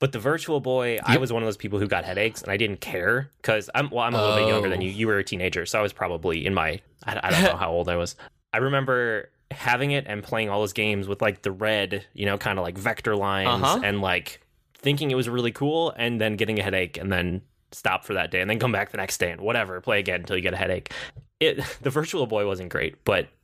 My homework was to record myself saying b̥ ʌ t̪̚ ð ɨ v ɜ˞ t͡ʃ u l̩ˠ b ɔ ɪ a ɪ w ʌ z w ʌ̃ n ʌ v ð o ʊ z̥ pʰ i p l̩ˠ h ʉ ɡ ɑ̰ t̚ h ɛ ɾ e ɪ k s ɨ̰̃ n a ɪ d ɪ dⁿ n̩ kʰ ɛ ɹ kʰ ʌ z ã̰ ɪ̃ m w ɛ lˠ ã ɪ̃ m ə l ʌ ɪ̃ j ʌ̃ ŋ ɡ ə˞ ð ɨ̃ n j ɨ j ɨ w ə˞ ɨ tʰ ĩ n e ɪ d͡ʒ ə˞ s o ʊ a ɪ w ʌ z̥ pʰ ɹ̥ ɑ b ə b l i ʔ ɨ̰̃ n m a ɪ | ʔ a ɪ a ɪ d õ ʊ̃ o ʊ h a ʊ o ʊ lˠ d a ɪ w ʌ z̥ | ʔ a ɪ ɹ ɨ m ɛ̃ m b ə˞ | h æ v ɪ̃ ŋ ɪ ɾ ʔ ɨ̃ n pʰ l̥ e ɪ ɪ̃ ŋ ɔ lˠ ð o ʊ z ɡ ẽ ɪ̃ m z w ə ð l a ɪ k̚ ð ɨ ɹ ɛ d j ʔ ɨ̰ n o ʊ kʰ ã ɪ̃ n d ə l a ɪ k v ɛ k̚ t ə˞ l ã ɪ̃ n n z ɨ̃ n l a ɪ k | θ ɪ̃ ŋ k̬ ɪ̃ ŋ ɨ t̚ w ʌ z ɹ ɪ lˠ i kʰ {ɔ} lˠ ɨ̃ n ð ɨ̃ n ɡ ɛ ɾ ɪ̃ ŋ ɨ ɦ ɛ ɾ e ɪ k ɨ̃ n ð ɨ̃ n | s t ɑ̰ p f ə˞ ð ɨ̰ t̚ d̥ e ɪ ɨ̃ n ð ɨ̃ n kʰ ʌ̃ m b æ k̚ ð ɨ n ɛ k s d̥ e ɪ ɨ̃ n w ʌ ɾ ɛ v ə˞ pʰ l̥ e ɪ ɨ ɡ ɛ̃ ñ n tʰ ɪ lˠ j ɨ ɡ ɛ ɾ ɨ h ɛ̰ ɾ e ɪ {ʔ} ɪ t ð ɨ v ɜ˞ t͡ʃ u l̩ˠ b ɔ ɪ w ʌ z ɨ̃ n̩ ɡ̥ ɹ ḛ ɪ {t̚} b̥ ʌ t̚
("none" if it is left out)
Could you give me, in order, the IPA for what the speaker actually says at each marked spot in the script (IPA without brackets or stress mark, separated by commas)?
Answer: u, k, t̚